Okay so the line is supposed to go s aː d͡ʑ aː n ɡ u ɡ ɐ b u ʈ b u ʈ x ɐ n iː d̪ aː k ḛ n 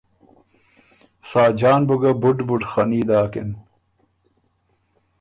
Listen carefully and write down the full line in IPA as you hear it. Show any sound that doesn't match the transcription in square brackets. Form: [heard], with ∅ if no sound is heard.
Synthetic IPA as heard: s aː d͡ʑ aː n [b] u ɡ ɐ b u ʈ b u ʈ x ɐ n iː d̪ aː k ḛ n